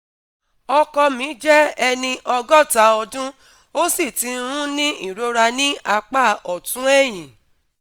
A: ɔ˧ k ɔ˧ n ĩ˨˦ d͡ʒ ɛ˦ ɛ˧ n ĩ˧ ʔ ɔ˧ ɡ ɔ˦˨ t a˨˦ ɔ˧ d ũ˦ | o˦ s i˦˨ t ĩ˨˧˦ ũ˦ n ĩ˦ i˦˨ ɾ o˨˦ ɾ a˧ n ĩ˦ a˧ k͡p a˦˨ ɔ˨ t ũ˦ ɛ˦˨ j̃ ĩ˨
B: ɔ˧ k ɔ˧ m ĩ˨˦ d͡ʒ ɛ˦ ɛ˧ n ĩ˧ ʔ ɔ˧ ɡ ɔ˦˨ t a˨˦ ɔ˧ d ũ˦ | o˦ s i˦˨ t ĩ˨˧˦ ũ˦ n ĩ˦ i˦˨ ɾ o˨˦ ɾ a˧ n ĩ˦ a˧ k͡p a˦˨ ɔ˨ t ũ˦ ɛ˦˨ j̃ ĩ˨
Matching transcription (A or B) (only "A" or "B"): B